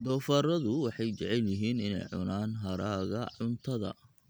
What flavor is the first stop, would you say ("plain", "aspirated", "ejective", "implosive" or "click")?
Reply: plain